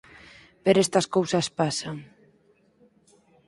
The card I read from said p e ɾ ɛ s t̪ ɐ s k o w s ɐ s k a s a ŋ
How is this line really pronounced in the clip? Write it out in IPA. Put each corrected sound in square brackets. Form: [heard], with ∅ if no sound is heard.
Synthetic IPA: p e ɾ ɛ s t̪ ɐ s k o w s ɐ s [p] a s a ŋ

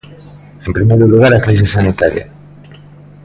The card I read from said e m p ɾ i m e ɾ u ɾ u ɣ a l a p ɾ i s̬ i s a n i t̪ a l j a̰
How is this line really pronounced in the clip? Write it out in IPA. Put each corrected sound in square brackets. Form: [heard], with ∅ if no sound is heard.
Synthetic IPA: e m p ɾ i m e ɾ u [l] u ɣ a [ɾ] a [k] ɾ i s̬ i s a n i t̪ a [ɾ] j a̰

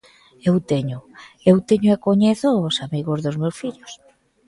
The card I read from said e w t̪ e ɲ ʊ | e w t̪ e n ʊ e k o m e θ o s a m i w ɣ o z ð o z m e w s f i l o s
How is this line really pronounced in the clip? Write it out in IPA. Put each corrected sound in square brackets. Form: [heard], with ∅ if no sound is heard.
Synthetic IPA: e w t̪ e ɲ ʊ | e w t̪ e [ɲ] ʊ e k o [ɲ] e θ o s a m i [∅] ɣ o z ð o z m e w s f i [ʎ] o s

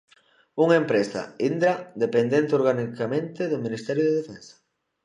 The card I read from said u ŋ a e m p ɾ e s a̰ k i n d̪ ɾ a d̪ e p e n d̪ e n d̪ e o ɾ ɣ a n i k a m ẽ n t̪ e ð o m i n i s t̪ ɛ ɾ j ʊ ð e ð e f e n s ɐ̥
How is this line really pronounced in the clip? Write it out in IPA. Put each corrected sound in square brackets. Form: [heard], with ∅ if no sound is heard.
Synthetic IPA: u ŋ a e m p ɾ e s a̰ [∅] i n d̪ ɾ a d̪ e p e n d̪ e n [t̪] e o ɾ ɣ a n i k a m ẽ n t̪ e ð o m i n i s t̪ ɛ ɾ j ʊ ð e ð e f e n s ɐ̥

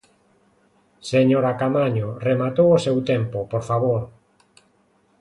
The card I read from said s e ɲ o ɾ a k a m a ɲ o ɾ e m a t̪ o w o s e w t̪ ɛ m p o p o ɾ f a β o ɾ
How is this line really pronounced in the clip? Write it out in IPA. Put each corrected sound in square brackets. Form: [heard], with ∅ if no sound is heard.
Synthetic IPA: s e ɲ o ɾ a k a m a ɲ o [r] e m a t̪ o w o s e w t̪ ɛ m p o p o ɾ f a β o ɾ

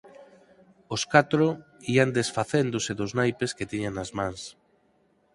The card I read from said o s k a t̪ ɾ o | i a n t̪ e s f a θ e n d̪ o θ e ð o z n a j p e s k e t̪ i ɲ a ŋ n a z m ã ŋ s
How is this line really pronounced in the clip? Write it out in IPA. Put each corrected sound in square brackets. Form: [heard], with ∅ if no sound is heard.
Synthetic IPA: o s k a t̪ ɾ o | i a n [d̪] e s f a θ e n d̪ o [s] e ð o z n a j p e s k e t̪ i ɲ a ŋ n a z m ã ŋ s

